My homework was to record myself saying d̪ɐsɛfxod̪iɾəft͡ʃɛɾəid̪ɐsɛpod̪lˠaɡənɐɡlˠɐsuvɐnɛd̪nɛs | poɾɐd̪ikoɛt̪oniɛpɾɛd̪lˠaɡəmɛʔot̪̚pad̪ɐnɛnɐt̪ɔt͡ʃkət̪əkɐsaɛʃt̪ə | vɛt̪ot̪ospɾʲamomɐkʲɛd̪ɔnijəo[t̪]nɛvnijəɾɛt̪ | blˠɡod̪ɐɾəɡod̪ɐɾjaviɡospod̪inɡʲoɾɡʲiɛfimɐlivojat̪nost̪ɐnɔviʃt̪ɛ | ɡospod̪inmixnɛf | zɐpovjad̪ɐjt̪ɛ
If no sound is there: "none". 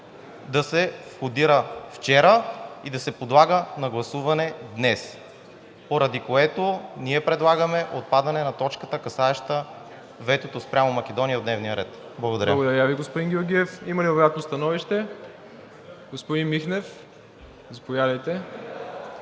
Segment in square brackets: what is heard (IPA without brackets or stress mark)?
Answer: d̪